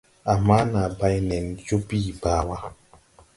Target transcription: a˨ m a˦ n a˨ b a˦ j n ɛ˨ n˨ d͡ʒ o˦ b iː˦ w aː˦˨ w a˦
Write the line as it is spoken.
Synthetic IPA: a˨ m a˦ n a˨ b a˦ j n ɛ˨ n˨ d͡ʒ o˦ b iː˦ b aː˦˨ w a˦